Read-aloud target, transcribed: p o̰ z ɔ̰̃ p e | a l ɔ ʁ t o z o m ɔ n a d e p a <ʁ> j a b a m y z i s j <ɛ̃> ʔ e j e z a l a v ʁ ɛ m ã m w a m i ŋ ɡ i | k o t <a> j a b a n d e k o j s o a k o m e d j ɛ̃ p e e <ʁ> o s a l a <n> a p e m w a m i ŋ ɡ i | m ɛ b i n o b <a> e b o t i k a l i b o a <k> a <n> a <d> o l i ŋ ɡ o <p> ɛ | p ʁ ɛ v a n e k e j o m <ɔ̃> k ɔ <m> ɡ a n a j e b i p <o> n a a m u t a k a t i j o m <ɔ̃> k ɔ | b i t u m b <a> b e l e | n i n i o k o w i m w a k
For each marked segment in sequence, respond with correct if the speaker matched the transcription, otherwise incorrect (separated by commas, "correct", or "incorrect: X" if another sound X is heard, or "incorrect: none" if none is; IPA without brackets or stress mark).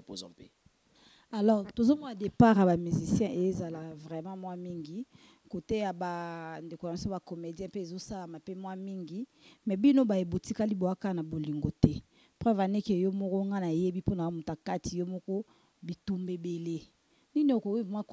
correct, correct, incorrect: e, incorrect: z, incorrect: m, correct, correct, correct, incorrect: b, incorrect: t, incorrect: ɔ, incorrect: ŋ, correct, incorrect: ɔ, incorrect: e